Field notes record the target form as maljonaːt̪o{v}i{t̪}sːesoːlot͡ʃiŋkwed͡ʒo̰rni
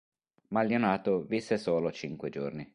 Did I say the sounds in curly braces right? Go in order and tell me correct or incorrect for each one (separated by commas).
correct, incorrect